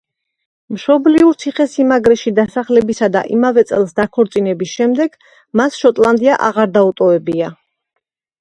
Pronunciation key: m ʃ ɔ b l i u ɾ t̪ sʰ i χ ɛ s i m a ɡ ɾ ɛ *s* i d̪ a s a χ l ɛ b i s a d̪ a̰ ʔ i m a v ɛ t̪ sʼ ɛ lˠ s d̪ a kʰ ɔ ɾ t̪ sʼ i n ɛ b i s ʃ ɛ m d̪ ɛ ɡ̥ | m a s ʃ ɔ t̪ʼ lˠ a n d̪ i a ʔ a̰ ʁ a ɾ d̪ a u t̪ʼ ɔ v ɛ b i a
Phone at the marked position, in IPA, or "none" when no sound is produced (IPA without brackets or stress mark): ʃ